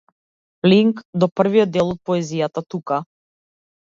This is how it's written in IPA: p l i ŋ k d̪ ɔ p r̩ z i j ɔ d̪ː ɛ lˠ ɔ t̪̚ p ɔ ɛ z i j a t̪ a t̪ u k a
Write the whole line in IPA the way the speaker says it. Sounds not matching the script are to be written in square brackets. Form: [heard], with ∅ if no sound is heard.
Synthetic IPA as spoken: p l i ŋ k d̪ ɔ p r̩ [v] i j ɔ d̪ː ɛ lˠ ɔ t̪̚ p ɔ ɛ z i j a t̪ a t̪ u k a